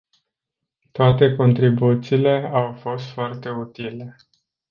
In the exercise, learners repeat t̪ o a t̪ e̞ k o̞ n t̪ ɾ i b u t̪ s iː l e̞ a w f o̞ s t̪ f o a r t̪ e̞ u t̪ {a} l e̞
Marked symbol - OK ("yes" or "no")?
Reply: no